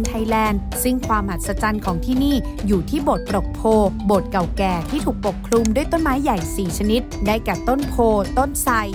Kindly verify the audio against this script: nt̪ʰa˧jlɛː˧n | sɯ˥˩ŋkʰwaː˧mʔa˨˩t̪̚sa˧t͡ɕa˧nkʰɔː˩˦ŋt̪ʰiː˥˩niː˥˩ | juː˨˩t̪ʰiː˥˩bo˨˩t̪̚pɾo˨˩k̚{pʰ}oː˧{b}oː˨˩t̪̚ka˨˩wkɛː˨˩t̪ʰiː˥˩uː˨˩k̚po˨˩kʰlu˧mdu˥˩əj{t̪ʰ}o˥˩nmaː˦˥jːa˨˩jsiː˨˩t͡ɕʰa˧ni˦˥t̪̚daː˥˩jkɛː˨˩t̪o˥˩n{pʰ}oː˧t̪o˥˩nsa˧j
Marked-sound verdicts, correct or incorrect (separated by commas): correct, correct, incorrect, correct